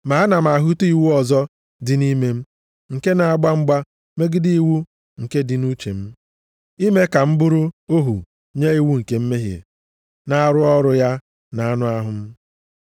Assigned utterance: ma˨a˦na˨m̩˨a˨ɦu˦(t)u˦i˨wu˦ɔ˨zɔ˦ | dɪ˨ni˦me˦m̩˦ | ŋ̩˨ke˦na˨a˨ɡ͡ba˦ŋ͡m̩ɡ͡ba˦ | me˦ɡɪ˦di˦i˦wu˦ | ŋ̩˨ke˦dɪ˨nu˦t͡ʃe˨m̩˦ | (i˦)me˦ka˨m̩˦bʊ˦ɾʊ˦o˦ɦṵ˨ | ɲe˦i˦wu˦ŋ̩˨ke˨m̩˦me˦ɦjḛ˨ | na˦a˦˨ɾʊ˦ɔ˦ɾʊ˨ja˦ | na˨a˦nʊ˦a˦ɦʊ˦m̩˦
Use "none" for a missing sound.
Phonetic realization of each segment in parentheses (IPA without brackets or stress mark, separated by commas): t, i˦